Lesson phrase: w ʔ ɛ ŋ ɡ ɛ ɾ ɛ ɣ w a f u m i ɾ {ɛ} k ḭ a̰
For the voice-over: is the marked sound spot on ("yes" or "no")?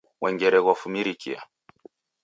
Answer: no